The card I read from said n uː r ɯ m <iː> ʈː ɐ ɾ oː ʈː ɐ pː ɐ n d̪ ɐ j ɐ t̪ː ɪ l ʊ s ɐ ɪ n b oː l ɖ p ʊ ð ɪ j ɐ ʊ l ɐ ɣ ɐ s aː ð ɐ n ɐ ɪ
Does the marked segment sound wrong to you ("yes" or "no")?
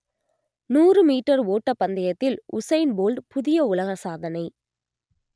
no